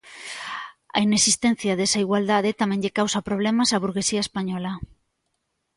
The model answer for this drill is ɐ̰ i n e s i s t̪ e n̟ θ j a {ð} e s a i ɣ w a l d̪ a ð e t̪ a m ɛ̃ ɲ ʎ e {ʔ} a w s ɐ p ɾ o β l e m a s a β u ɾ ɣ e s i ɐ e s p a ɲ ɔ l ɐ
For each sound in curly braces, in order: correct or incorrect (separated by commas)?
correct, incorrect